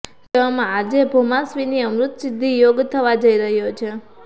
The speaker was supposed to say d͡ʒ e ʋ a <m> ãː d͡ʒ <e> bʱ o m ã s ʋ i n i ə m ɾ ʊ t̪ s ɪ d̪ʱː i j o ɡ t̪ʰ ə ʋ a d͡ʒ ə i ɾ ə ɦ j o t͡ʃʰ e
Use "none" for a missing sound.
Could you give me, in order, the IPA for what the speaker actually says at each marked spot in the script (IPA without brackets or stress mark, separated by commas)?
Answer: m, e